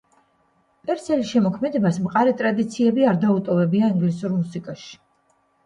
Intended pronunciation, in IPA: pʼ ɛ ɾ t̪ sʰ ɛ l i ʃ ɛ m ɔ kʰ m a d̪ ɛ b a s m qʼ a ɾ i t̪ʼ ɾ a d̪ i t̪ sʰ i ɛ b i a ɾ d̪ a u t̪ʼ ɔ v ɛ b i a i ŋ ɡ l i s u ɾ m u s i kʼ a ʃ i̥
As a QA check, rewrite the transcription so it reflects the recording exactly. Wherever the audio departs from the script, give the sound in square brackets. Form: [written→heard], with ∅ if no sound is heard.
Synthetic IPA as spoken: pʼ ɛ ɾ t̪ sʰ ɛ l i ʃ ɛ m ɔ kʰ m [a→ɛ] d̪ ɛ b a s m qʼ a ɾ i t̪ʼ ɾ a d̪ i t̪ sʰ i ɛ b i a ɾ d̪ a u t̪ʼ ɔ v ɛ b i a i ŋ ɡ l i s u ɾ m u s i kʼ a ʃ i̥